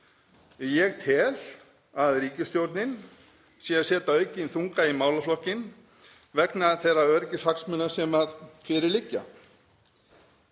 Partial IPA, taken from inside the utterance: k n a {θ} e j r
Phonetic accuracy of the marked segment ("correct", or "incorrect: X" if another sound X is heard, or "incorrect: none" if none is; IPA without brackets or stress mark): correct